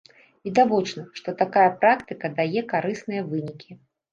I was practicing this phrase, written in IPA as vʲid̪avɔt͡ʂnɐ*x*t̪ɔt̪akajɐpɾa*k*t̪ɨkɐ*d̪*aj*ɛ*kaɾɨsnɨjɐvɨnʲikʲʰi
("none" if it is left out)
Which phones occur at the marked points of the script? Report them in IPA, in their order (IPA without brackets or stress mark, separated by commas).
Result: ʂ, k, d̪, ɛ